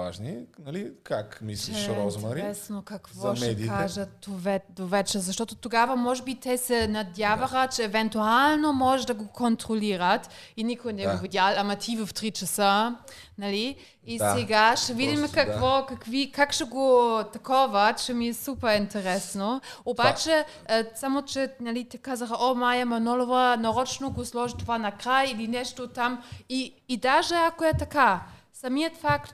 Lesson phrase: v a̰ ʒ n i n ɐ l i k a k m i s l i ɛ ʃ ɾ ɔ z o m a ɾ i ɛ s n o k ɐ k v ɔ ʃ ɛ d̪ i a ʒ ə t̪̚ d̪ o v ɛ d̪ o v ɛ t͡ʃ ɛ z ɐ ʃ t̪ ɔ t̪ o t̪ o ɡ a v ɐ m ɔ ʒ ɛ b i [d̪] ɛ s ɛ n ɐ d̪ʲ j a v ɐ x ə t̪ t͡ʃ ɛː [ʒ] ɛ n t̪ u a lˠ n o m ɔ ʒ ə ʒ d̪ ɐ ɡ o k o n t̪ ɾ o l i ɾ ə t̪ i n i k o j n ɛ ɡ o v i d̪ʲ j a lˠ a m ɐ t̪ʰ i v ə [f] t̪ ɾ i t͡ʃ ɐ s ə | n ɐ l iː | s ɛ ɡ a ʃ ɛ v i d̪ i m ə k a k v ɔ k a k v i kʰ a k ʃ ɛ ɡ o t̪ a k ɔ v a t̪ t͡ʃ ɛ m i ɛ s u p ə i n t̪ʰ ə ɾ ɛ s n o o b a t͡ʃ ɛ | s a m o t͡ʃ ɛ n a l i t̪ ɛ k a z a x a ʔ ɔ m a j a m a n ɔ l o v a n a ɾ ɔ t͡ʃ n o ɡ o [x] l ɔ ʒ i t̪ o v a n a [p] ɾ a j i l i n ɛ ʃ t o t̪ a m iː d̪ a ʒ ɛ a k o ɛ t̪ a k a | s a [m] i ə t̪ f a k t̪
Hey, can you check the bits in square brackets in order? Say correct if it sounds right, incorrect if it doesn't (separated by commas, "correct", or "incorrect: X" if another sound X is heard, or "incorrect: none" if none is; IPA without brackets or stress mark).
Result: incorrect: t̪, incorrect: v, correct, incorrect: s, incorrect: k, correct